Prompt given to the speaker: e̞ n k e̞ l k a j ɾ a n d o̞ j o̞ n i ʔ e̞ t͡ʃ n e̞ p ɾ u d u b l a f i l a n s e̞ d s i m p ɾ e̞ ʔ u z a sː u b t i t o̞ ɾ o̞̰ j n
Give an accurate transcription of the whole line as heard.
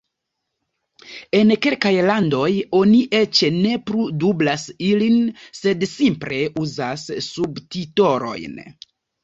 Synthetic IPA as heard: e̞ n k e̞ l k a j l a n d o̞ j o̞ n i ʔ e̞ t͡ʃ n e̞ p ɾ u d u b l a s i l i n s e̞ d s i m p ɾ e̞ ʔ u z a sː u b t i t o̞ ɾ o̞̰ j n